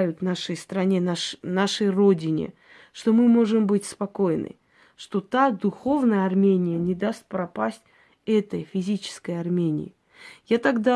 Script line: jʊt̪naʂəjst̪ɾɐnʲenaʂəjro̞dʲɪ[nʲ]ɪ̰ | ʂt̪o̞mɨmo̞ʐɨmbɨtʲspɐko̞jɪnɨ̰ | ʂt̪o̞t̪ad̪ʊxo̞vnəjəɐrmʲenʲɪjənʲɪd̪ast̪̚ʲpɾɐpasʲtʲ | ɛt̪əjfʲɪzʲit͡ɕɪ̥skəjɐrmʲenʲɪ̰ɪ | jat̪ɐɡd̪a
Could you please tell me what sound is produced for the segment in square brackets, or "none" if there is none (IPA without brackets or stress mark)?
nʲ